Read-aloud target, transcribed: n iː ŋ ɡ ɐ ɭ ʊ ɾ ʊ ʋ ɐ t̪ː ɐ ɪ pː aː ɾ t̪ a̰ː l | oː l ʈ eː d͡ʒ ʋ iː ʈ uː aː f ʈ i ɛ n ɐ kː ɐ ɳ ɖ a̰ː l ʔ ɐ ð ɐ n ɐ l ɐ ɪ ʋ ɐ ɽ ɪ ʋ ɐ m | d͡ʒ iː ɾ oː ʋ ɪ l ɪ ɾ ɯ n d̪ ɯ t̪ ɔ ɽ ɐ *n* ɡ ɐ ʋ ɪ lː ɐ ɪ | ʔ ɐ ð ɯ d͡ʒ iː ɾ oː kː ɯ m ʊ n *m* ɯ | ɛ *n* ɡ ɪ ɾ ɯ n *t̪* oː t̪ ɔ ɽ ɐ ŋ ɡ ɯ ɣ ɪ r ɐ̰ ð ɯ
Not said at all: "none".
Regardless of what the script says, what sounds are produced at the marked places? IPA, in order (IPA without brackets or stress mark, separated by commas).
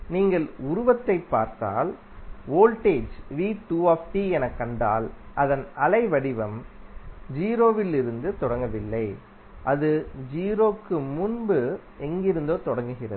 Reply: ŋ, b, ŋ, d̪